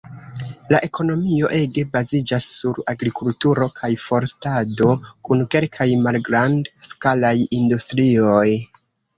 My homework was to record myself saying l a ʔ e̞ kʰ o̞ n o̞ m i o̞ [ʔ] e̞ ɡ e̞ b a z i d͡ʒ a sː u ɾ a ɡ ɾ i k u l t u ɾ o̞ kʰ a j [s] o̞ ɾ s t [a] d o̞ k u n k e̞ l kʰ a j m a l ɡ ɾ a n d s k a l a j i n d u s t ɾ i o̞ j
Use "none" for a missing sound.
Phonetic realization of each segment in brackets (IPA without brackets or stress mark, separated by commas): ʔ, f, a